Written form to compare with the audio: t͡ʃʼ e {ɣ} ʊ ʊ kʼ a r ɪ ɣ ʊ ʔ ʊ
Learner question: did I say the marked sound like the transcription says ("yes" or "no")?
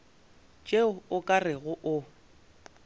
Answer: no